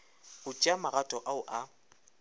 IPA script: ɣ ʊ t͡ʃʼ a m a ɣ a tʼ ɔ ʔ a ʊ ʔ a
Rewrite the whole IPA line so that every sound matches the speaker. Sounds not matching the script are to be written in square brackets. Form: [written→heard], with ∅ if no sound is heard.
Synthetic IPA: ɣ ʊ t͡ʃʼ a m a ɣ a tʼ ɔ ʔ a ʊ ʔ a

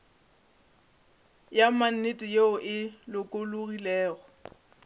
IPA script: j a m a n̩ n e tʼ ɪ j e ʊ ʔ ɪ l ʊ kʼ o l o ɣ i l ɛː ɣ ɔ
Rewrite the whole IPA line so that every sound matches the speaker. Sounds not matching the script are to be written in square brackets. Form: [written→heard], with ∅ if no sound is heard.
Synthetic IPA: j a m a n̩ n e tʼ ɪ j e ʊ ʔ ɪ l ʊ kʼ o l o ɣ i l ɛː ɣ ɔ

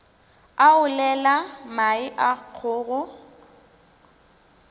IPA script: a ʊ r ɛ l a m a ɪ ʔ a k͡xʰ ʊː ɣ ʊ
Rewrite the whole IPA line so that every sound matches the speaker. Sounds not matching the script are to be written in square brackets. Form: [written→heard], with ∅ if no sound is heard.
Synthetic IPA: a ʊ [r→l] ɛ l a m a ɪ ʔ a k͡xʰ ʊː ɣ ʊ

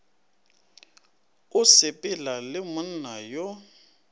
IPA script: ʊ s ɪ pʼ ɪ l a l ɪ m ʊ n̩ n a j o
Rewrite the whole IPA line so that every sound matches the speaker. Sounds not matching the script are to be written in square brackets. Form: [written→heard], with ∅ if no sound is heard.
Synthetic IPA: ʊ s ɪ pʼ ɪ l a l ɪ m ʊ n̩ n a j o

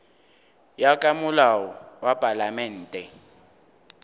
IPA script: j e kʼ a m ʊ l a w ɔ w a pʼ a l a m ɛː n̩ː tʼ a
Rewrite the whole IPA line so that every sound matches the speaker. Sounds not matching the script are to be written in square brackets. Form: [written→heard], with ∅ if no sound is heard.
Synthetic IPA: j [e→a] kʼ a m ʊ l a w ɔ w a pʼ a l a m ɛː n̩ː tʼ [a→ɛ]

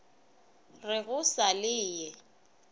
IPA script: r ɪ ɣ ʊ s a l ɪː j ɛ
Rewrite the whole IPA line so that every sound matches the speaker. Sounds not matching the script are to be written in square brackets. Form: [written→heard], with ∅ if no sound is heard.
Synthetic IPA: r ɪ ɣ ʊ s a l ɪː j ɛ

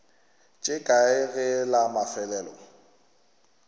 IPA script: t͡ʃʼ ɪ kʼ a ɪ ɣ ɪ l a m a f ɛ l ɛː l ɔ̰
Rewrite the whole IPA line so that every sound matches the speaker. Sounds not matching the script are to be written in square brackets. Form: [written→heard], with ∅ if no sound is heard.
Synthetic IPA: t͡ʃʼ ɪ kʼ a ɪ ɣ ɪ l a m a f ɛ l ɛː l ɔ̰

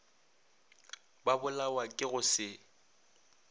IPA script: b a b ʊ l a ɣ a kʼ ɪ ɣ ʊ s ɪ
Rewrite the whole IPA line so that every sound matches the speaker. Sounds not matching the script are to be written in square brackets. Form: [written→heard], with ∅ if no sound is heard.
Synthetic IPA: b a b ʊ l a [ɣ→w] a kʼ ɪ ɣ ʊ s ɪ

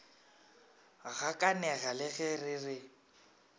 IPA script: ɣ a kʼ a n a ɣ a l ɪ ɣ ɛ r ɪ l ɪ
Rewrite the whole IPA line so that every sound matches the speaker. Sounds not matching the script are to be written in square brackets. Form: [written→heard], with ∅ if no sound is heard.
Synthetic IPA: ɣ a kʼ a n [a→ɛ] ɣ a l ɪ ɣ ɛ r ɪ [l→r] ɪ

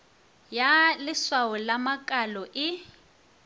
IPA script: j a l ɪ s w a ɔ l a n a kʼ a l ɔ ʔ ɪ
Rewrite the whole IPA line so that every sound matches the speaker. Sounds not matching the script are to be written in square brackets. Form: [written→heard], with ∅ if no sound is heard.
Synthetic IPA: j a l ɪ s w a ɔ l a [n→m] a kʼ a l ɔ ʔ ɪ

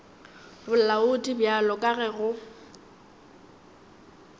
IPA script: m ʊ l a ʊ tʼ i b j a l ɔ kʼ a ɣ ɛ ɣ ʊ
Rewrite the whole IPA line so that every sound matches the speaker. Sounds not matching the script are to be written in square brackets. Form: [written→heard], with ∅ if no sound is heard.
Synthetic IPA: [m→b] ʊ l a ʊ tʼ i b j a l ɔ kʼ a ɣ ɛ ɣ ʊ

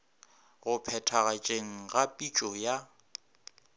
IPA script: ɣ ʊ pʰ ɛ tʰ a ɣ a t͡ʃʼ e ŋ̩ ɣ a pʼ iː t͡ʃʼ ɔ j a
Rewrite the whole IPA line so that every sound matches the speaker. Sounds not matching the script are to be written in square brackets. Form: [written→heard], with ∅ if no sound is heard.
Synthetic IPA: ɣ ʊ pʰ ɛ tʰ a ɣ a t͡ʃʼ e ŋ̩ ɣ a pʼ [iː→i] t͡ʃʼ ɔ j a

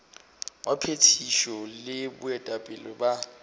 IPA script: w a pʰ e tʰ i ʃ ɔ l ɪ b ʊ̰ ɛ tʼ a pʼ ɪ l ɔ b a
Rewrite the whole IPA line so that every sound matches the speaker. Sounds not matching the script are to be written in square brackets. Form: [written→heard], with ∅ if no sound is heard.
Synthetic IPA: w a pʰ e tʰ i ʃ ɔ l ɪ b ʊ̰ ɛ tʼ a pʼ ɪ l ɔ b a

